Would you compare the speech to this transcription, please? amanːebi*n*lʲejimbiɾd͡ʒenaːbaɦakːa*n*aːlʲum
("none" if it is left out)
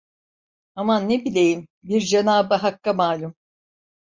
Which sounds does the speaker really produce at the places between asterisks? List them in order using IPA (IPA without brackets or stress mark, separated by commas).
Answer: none, m